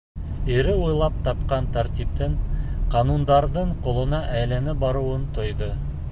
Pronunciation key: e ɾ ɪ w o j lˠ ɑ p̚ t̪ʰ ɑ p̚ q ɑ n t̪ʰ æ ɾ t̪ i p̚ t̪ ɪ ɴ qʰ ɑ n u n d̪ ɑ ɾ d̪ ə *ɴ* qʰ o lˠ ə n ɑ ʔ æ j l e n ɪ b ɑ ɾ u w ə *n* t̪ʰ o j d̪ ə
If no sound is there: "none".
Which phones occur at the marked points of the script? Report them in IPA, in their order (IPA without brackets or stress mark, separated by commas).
ɴ, n